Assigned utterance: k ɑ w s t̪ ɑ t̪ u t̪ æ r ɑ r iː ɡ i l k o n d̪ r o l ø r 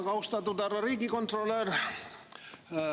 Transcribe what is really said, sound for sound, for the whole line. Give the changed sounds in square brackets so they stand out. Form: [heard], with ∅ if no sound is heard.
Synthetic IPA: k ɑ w s t̪ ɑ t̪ u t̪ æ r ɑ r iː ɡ i [∅] k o n [t̪] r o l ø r